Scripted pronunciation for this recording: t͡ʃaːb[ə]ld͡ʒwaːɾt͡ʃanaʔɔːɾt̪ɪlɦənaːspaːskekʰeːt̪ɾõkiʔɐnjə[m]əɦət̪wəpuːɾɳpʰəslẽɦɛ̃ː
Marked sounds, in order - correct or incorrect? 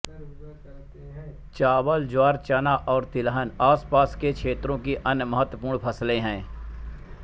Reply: correct, correct

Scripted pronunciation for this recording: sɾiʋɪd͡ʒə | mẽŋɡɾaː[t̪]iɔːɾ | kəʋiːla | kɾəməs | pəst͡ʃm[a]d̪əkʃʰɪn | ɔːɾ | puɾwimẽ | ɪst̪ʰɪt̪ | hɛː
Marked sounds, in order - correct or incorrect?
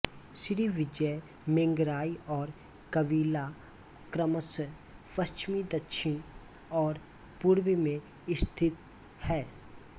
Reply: incorrect: none, incorrect: i

